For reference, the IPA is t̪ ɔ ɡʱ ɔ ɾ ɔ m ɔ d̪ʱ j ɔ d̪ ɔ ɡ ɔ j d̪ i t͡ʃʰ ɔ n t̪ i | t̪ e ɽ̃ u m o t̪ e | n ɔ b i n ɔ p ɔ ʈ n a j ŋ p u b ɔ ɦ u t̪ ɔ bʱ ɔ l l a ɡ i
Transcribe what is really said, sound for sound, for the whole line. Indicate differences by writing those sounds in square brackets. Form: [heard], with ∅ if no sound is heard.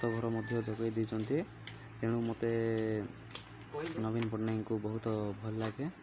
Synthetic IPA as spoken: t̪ ɔ ɡʱ ɔ ɾ ɔ m ɔ d̪ʱ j ɔ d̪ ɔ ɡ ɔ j d̪ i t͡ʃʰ ɔ n t̪ i | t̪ e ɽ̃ u m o t̪ e | n ɔ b i n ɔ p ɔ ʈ n a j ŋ [k] u b ɔ ɦ u t̪ ɔ bʱ ɔ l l a ɡ [e]

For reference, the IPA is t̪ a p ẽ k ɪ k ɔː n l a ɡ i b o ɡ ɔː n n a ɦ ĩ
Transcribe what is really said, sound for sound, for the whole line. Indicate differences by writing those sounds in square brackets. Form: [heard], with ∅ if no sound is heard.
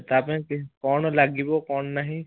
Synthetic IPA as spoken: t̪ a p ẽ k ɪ k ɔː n l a ɡ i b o [k] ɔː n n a ɦ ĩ

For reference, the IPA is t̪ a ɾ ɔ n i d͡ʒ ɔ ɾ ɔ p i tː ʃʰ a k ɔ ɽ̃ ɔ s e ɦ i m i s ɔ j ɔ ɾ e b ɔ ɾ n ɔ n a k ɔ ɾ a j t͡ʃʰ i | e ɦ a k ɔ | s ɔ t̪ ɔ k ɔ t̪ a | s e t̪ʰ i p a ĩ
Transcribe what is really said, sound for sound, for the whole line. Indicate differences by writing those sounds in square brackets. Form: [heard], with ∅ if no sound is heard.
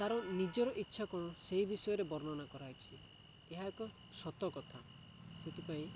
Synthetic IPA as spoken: t̪ a ɾ ɔ n i d͡ʒ ɔ ɾ ɔ [ʔ] i tː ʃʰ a k ɔ ɽ̃ ɔ s e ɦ i [b] i s ɔ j ɔ ɾ e b ɔ ɾ n ɔ n a k ɔ ɾ a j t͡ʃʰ i | e ɦ a k ɔ | s ɔ t̪ ɔ k ɔ [t̪ʰ] a | s e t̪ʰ i p a ĩ

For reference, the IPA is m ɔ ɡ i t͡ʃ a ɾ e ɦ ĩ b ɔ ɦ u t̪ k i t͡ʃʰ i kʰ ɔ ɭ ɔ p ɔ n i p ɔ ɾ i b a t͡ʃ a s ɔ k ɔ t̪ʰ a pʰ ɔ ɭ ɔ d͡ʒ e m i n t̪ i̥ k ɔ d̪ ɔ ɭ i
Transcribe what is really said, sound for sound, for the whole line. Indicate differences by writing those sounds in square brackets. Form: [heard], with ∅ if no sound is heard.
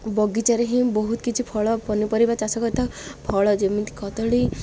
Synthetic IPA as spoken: [b] ɔ ɡ i t͡ʃ a ɾ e ɦ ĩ b ɔ ɦ u t̪ k i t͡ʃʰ i [pʰ] ɔ ɭ ɔ p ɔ n i p ɔ ɾ i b a t͡ʃ a s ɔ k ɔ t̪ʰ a pʰ ɔ ɭ ɔ d͡ʒ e m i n t̪ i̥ k ɔ [t̪] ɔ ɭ i

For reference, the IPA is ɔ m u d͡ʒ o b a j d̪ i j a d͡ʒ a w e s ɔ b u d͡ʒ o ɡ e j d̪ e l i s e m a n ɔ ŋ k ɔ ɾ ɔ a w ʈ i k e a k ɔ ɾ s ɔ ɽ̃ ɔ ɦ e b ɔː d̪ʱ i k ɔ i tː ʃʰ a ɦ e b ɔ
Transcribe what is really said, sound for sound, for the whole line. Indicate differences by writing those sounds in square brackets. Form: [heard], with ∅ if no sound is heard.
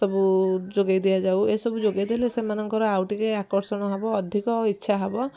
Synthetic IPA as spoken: ɔ [b] u d͡ʒ o [ɡ] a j d̪ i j a d͡ʒ a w e s ɔ b u d͡ʒ o ɡ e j d̪ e l [e] s e m a n ɔ ŋ k ɔ ɾ ɔ a w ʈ i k e a k ɔ ɾ s ɔ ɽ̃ ɔ ɦ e b ɔː d̪ʱ i k ɔ i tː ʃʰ a ɦ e b ɔ

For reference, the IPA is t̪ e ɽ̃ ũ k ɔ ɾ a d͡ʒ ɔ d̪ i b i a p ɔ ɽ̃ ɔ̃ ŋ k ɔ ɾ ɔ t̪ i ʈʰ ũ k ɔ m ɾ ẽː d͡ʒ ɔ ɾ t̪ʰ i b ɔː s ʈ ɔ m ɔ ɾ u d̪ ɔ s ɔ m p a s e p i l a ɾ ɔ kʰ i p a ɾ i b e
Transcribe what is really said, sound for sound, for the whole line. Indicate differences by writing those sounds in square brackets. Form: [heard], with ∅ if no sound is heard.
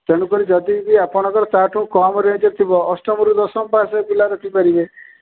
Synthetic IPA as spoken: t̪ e ɽ̃ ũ k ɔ ɾ [i] d͡ʒ ɔ d̪ i b i a p ɔ ɽ̃ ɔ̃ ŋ k ɔ ɾ ɔ t̪ [a] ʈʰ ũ k ɔ m ɾ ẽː d͡ʒ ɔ ɾ t̪ʰ i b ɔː s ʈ ɔ m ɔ ɾ u d̪ ɔ s ɔ m p a s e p i l a ɾ ɔ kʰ i p a ɾ i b e

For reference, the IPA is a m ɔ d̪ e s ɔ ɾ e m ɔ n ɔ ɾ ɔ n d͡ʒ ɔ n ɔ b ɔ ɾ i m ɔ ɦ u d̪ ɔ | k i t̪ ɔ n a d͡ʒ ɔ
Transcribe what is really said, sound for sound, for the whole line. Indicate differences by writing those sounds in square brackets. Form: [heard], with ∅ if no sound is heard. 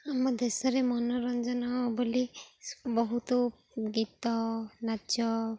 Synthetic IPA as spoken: a m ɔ d̪ e s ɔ ɾ e m ɔ n ɔ ɾ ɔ n d͡ʒ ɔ n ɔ b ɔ [l] i [b] ɔ ɦ u [t̪] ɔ | [ɡ] i t̪ ɔ n a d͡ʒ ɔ

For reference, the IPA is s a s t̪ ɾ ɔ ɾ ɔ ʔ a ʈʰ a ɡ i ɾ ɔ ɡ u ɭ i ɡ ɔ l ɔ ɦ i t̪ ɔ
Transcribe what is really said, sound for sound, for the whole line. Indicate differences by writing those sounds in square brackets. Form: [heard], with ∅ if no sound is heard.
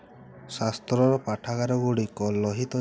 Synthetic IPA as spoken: s a s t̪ ɾ ɔ ɾ ɔ [p] a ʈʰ a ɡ [a] ɾ ɔ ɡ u [ɽ] i [k] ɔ l ɔ ɦ i t̪ ɔ

